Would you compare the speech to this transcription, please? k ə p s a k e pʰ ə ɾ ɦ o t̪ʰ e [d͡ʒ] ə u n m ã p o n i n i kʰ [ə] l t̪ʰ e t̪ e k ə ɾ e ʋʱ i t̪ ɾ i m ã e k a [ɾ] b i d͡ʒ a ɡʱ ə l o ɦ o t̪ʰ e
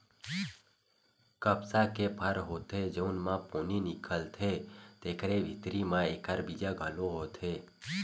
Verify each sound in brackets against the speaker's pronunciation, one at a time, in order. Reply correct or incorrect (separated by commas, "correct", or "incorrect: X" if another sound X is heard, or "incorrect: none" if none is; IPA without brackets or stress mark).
correct, correct, correct